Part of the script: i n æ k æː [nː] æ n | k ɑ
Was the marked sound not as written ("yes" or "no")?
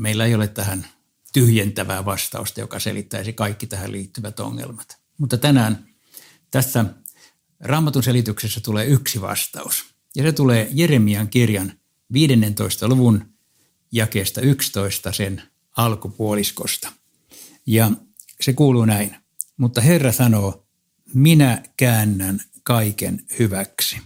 no